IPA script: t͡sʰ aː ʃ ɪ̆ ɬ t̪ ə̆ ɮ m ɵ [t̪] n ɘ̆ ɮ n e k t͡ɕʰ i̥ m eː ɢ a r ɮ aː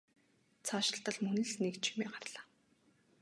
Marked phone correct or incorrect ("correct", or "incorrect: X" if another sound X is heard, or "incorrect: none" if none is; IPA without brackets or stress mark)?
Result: incorrect: none